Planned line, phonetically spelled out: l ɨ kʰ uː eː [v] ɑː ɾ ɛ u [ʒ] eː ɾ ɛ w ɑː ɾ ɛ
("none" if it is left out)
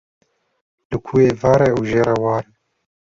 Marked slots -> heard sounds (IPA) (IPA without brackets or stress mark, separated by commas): v, ʒ